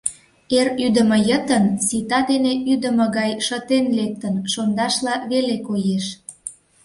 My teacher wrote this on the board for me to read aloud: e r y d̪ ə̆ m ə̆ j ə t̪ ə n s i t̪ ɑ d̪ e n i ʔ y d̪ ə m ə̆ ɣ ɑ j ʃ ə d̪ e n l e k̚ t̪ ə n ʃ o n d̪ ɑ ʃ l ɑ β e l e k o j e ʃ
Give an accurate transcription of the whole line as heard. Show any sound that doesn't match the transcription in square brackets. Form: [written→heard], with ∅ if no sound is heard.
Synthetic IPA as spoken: e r y d̪ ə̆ m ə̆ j ə t̪ ə n s i t̪ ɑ d̪ e n [i→e] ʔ y d̪ ə m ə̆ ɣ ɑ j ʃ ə [d̪→t̪] e n l e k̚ t̪ ə n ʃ o n d̪ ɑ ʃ l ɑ β e l e k o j e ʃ